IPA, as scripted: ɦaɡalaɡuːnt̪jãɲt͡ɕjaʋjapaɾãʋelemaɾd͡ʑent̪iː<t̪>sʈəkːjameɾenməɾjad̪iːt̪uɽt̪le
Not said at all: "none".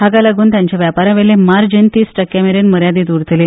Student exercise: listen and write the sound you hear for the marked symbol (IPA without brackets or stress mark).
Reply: none